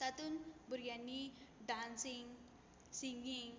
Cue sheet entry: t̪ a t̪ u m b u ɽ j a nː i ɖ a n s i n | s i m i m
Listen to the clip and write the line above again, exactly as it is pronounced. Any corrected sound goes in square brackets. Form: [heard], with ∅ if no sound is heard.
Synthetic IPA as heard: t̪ a t̪ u [n] b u [ɾ] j a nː i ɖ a n s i [ŋ] | s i [ŋ] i [ŋ]